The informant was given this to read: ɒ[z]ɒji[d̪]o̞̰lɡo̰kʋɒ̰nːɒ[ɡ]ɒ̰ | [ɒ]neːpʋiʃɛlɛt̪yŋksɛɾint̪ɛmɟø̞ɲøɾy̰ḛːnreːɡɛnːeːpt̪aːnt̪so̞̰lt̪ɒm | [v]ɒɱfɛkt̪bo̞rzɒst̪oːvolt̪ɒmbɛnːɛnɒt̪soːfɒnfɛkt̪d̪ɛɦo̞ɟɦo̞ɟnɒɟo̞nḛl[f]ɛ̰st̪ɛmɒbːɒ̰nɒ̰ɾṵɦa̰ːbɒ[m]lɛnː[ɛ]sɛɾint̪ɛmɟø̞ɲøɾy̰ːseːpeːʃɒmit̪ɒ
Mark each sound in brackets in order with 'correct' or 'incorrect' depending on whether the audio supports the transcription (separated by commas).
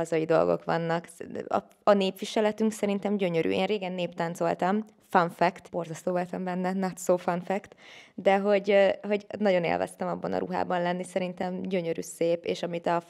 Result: correct, correct, incorrect, correct, incorrect, incorrect, incorrect, incorrect